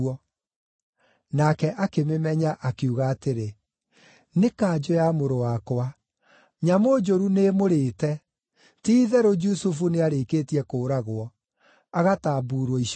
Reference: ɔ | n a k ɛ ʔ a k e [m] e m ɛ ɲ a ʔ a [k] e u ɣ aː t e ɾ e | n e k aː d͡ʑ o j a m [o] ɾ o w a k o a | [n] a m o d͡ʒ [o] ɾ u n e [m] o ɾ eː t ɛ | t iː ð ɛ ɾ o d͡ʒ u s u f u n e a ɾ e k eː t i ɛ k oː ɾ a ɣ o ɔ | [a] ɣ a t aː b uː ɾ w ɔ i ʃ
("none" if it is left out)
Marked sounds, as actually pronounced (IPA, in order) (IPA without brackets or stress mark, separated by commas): m, k, o, ɲ, o, m, a